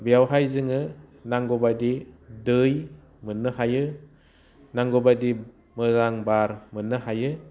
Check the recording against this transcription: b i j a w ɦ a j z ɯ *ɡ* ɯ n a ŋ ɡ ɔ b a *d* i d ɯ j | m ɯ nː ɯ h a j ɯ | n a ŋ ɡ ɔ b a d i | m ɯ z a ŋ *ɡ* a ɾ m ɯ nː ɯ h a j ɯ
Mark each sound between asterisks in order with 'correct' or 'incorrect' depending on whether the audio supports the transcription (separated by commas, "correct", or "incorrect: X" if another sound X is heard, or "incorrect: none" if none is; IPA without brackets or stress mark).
incorrect: ŋ, correct, incorrect: b